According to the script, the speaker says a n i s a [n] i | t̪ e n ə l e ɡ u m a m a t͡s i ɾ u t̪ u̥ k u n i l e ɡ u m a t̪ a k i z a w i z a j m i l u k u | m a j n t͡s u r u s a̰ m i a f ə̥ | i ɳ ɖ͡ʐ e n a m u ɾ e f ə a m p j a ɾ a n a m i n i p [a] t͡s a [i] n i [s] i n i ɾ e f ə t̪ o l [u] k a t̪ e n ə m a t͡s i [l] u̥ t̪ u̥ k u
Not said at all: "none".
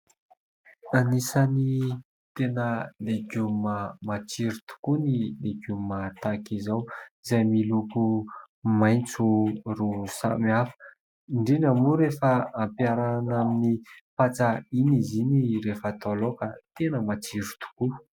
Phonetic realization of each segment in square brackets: n, a, i, z, o, ɾ

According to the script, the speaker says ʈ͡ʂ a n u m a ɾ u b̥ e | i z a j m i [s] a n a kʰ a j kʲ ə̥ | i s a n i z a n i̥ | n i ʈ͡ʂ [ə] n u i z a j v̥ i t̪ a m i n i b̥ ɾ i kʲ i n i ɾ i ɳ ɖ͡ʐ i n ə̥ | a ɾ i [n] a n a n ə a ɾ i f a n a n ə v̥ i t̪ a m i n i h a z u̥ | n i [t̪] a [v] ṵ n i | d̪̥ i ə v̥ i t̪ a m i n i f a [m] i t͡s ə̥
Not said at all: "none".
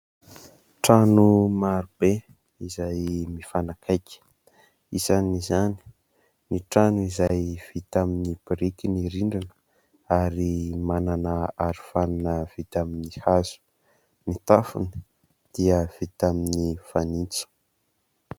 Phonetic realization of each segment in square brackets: f, a, m, t̪, f, n

